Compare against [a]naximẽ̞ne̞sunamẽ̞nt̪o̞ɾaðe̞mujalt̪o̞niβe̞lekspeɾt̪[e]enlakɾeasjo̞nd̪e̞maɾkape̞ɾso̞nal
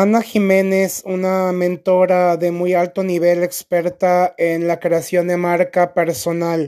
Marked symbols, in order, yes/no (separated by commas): yes, no